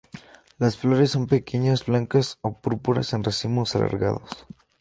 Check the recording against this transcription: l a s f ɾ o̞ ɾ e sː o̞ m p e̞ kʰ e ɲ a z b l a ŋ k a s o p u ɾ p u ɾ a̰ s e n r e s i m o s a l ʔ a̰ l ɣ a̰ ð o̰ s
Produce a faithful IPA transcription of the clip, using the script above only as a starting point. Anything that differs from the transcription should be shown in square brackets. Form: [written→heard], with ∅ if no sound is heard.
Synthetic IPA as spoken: l a s f [ɾ→l] o̞ ɾ e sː o̞ m p e̞ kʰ e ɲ a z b l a ŋ k a s o p u ɾ p u ɾ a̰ s e n r e s i m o s a l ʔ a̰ [l→ɾ] ɣ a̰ ð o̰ s